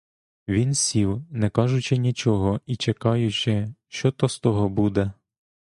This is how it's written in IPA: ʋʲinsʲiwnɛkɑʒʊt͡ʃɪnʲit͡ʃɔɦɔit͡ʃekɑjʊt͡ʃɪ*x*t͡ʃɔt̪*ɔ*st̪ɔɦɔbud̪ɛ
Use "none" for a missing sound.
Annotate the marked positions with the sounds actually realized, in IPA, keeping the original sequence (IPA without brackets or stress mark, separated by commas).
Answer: ʃ, ɔ